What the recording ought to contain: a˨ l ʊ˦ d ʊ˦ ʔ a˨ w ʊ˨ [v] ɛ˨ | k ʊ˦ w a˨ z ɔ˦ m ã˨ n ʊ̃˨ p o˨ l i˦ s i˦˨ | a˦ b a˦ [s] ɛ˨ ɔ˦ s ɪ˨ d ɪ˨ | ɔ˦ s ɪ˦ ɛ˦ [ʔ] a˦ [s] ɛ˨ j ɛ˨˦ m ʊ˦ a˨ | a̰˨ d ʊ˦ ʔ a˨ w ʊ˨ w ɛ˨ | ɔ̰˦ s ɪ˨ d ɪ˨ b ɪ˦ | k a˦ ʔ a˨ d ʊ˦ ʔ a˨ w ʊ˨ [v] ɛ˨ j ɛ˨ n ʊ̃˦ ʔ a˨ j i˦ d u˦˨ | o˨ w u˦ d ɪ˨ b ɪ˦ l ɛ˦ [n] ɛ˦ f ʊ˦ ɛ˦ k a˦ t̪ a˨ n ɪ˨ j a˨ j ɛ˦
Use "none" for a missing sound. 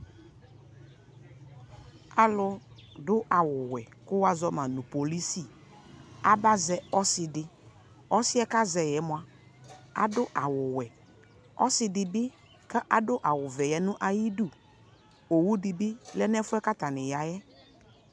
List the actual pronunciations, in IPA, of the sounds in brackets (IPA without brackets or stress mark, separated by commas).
w, z, k, z, v, n